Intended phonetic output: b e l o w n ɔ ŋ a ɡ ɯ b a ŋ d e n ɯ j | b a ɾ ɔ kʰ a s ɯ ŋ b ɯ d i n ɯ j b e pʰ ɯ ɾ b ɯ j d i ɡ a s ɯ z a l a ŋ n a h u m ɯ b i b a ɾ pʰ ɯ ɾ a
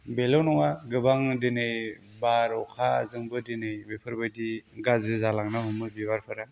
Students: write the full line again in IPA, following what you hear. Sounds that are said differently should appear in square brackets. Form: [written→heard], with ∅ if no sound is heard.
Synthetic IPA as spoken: b e l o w n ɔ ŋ a ɡ ɯ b a ŋ d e n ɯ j | b a ɾ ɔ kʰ a [s→z] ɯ ŋ b ɯ d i n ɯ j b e pʰ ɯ ɾ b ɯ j d i ɡ a [s→z] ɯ z a l a ŋ n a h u m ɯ b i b a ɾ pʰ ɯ ɾ a